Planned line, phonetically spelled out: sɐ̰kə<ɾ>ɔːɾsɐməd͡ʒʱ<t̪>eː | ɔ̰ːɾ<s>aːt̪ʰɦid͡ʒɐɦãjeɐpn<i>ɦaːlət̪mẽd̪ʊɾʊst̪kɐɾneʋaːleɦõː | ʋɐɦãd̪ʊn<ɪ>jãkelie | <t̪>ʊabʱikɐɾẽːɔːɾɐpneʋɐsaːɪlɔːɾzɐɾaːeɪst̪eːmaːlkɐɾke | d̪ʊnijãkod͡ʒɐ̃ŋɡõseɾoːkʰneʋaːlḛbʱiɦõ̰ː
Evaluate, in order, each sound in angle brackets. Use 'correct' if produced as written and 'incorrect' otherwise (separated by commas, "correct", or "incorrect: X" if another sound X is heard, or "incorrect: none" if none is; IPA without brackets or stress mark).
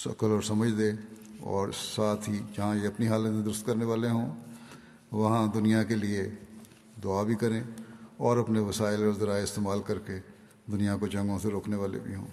incorrect: l, incorrect: d̪, correct, correct, incorrect: i, incorrect: d̪